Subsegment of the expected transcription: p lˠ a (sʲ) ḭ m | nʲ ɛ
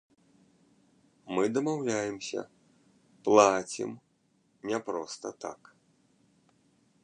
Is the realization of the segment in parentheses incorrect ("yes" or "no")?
yes